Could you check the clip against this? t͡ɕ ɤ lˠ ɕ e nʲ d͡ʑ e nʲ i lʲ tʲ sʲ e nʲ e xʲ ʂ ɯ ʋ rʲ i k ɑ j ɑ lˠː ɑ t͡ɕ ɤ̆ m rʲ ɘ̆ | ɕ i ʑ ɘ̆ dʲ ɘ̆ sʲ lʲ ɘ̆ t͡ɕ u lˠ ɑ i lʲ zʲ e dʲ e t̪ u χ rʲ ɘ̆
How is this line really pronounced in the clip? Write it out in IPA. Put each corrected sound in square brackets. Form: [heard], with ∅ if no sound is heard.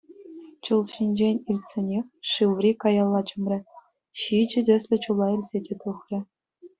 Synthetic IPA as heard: t͡ɕ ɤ lˠ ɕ [i] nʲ d͡ʑ e nʲ i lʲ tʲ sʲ e nʲ e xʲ ʂ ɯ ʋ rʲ i k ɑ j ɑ lˠː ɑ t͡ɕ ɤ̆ m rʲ ɘ̆ | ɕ i [d͡ʑ] ɘ̆ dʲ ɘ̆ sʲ lʲ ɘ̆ t͡ɕ u lˠ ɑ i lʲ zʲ e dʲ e t̪ u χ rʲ ɘ̆

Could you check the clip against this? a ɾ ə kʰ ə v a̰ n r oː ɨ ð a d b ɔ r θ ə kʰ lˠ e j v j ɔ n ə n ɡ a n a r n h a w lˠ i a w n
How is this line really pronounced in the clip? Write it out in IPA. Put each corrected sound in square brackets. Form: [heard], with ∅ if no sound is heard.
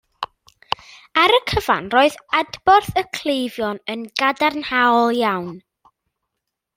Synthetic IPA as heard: a ɾ ə kʰ ə v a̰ n r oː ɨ ð a d b ɔ r θ ə kʰ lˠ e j v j ɔ n ə n ɡ a [d] a r n h a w lˠ [j] a w n

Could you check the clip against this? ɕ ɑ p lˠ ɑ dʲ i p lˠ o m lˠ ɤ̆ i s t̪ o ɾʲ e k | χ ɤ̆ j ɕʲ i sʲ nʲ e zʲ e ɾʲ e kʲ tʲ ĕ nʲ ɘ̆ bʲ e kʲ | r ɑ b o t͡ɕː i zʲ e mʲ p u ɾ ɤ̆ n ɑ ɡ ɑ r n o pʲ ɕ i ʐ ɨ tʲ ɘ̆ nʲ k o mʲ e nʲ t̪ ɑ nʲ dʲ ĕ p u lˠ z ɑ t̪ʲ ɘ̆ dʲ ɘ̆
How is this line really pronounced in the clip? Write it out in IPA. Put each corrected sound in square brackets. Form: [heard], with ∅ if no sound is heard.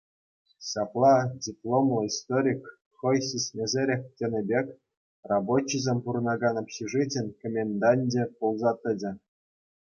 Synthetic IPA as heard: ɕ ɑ p lˠ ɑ dʲ i p lˠ o m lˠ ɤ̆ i s t̪ o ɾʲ [i] k | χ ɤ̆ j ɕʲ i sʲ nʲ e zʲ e ɾʲ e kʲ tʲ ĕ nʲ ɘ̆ bʲ e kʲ | r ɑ b o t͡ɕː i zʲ e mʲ p u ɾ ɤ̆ n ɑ ɡ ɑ [∅] n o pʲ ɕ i ʐ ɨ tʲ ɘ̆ nʲ k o mʲ e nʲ [d̪] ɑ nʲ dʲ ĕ p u lˠ z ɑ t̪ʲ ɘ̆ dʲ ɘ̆

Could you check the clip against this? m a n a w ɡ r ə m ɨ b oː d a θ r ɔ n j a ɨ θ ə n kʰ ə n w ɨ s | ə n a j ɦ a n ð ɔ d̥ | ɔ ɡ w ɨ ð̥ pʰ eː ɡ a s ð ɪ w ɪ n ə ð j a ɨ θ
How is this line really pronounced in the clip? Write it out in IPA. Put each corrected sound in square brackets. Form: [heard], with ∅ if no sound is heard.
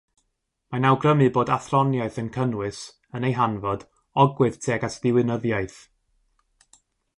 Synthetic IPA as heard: m a n a w ɡ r ə m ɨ b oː d a θ r ɔ n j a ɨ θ ə n kʰ ə n w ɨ s | ə n [e] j ɦ a n [v] ɔ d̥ | ɔ ɡ w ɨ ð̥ [tʰ] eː ɡ a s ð ɪ w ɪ n ə ð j a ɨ θ

